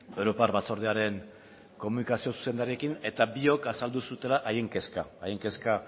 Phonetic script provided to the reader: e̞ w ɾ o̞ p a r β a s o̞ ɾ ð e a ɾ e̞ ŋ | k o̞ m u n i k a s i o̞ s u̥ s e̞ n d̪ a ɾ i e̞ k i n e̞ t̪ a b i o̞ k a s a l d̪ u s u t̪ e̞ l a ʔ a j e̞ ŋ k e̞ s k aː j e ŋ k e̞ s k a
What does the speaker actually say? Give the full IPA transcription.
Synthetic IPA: e̞ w ɾ o̞ p a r β a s o̞ ɾ ð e a ɾ e̞ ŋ | k o̞ m u n i k a s i o̞ s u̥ s e̞ n d̪ a ɾ i e̞ k i n e̞ t̪ a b i o̞ k a s a l d̪ u s u t̪ e̞ l a ʔ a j e̞ ŋ k e̞ s k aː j e ŋ k e̞ s k a